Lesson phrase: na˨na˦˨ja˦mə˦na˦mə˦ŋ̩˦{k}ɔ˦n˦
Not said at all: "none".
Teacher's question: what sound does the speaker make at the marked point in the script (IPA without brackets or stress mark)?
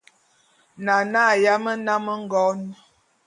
ɡ